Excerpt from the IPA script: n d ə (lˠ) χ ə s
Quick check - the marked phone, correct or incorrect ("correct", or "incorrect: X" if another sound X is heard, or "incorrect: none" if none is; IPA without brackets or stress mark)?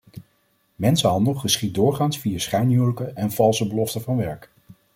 correct